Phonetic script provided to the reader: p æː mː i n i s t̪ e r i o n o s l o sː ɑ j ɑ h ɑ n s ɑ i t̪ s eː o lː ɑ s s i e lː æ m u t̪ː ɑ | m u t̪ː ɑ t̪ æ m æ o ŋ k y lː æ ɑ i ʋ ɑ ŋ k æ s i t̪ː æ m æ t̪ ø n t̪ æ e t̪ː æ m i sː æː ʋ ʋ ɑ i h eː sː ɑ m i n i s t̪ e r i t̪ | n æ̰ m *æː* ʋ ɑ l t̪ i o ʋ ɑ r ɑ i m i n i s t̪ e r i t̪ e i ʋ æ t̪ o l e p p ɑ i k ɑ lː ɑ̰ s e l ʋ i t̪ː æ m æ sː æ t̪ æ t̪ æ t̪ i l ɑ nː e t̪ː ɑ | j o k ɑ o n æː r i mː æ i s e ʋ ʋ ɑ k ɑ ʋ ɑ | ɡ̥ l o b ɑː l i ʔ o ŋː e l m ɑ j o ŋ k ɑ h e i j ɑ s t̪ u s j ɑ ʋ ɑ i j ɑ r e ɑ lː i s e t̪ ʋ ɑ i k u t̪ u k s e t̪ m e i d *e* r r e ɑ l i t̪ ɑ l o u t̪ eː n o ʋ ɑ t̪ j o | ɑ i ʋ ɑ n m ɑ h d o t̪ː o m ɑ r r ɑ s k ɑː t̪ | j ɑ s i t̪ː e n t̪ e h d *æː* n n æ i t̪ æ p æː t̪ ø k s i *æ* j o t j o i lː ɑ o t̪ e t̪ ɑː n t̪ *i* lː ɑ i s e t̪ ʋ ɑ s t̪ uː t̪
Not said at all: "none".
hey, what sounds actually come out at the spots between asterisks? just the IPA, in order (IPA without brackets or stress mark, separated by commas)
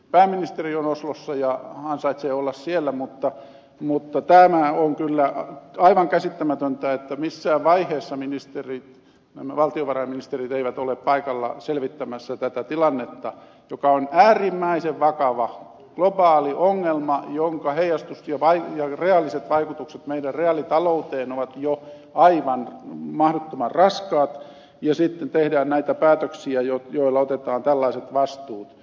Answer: æ, æ, æː, æ, æ